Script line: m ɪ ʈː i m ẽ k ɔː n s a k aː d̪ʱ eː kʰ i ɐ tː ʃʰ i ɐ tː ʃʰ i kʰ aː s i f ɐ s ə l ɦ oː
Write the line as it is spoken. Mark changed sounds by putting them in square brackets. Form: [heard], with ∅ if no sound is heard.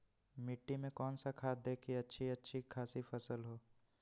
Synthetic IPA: m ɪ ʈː i m ẽ k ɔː n s a [kʰ] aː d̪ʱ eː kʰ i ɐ tː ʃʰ i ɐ tː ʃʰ i kʰ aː s i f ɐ s ə l ɦ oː